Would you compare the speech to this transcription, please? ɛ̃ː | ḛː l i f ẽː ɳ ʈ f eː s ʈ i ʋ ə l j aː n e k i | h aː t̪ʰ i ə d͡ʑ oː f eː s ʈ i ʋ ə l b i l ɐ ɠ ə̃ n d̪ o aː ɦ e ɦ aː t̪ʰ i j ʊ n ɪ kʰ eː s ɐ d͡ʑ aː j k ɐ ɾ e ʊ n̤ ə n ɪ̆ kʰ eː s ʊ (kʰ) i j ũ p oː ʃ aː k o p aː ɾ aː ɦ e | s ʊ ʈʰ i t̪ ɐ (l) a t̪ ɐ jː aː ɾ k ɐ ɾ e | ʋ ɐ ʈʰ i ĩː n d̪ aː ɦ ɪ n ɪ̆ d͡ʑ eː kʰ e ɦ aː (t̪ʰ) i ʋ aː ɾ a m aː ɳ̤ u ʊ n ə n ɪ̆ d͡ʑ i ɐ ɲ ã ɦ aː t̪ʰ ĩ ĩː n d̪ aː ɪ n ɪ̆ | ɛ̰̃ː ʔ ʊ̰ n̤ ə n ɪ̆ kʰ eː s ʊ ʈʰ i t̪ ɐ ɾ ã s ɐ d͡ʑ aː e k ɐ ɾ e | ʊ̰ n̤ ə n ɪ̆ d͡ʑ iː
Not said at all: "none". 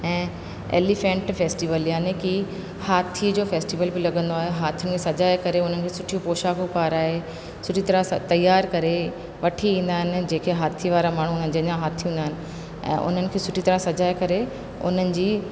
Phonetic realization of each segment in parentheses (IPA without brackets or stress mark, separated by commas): ʈʰ, ɾ, t̪ʰ